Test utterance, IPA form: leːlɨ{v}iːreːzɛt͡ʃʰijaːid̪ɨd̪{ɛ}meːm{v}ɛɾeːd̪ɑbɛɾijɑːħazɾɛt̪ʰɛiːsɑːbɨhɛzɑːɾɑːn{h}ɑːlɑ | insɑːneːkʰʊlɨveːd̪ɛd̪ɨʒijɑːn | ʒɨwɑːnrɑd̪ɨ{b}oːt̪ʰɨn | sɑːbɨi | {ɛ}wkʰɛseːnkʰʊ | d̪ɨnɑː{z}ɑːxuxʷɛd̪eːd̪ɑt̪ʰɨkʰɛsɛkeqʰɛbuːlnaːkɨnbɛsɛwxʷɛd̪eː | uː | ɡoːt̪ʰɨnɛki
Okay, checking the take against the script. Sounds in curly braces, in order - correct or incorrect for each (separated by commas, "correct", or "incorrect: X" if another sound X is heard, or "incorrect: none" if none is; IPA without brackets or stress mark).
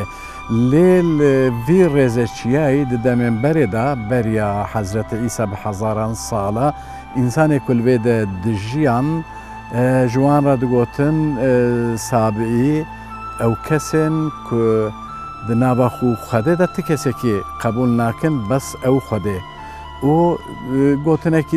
correct, correct, incorrect: b, incorrect: s, incorrect: ɡ, correct, incorrect: v